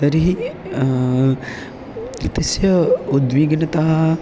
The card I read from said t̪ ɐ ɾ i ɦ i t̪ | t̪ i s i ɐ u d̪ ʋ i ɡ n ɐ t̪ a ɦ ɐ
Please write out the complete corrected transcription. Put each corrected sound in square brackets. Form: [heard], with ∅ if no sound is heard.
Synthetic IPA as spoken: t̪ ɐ ɾ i ɦ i [∅] | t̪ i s [j] ɐ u d̪ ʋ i ɡ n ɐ t̪ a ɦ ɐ